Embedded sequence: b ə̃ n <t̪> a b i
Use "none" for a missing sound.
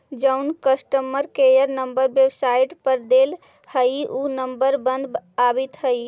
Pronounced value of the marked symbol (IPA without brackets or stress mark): d̪